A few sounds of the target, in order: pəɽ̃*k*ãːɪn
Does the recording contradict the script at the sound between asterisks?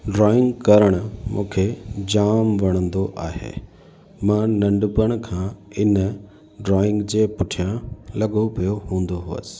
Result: yes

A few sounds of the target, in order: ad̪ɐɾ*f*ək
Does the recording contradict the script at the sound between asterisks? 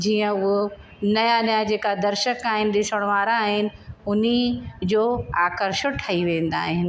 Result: yes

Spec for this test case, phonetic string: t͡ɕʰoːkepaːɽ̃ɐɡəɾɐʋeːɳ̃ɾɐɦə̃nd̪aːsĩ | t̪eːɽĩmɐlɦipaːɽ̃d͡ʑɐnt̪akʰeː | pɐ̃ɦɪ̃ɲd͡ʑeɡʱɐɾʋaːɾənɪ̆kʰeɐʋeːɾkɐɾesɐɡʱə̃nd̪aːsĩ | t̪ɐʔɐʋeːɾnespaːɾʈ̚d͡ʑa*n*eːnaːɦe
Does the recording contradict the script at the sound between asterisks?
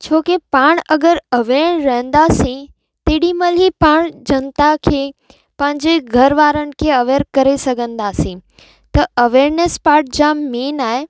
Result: yes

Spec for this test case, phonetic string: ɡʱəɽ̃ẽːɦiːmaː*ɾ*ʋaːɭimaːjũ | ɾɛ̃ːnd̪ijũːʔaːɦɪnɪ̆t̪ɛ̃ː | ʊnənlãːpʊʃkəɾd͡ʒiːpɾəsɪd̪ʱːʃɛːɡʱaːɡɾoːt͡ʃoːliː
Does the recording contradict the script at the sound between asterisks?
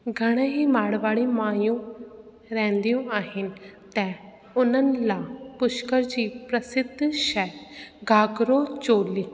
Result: yes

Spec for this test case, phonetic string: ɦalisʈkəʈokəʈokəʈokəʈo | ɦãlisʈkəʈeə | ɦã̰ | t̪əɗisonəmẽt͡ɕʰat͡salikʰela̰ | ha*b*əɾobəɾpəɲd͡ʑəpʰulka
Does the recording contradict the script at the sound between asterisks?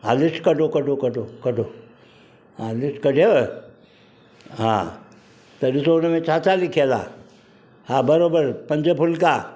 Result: no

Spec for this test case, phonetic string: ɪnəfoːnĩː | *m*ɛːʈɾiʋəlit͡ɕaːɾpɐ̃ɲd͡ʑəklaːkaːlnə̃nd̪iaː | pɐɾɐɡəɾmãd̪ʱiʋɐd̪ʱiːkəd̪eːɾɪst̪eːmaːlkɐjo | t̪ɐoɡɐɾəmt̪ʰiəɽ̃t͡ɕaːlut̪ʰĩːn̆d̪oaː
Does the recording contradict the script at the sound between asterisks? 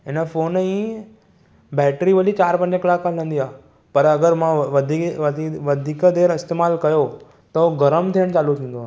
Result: yes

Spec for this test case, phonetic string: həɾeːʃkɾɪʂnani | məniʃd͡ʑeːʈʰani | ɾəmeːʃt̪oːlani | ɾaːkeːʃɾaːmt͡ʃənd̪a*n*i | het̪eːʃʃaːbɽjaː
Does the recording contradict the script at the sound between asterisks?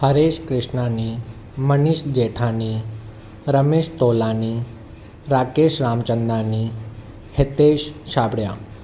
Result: no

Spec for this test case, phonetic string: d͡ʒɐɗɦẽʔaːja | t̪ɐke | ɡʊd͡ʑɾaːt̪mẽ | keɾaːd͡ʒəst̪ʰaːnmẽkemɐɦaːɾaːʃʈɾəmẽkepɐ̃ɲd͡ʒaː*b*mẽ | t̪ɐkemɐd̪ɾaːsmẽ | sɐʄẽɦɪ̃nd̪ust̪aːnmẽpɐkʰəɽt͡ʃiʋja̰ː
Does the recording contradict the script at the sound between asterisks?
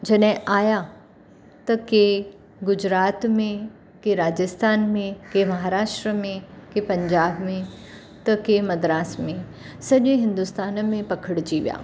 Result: no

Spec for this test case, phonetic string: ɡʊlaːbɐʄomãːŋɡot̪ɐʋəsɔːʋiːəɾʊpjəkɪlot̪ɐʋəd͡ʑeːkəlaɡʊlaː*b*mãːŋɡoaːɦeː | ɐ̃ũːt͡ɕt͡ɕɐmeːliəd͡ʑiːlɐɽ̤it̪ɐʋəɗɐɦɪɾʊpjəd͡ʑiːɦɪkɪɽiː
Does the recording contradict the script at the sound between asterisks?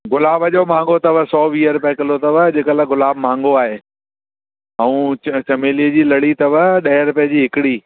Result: no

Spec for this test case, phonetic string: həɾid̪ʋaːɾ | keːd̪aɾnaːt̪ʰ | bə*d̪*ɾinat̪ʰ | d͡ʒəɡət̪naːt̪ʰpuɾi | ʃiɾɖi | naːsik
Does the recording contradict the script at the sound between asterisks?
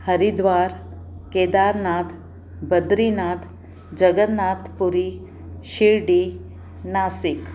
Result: no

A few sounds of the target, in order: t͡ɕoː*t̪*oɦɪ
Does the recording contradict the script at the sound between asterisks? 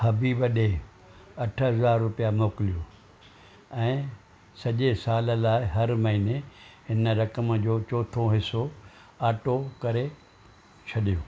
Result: yes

